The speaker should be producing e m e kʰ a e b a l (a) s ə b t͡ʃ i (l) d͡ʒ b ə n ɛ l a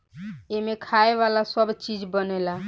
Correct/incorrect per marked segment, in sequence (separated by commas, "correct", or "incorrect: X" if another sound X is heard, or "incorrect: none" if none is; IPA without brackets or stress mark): correct, incorrect: none